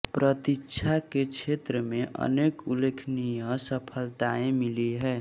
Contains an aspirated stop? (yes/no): yes